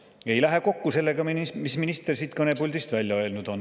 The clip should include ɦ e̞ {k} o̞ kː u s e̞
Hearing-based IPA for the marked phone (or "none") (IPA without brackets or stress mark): k